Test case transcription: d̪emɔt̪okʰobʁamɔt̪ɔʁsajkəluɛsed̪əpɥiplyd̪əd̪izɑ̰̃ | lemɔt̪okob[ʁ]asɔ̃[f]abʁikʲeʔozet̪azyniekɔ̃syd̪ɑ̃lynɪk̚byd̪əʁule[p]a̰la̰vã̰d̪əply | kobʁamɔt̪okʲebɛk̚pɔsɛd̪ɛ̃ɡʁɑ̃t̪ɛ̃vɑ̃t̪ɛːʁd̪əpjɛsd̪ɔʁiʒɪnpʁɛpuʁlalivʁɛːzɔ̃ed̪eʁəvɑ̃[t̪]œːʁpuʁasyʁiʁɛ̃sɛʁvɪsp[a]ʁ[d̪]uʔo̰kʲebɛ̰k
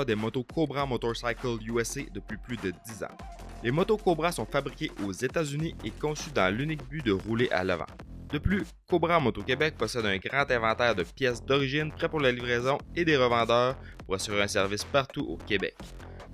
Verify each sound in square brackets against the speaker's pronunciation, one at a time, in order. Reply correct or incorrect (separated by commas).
correct, correct, incorrect, incorrect, correct, incorrect